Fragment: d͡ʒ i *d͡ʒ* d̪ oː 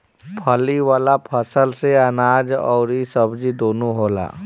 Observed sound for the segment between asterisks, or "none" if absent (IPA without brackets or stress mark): none